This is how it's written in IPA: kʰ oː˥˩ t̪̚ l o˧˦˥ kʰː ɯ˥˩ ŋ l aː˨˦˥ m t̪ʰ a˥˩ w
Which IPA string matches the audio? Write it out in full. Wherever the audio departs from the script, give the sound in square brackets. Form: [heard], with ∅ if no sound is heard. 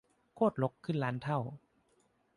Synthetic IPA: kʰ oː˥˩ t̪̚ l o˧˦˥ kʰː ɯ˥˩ [n] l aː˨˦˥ [n] t̪ʰ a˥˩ w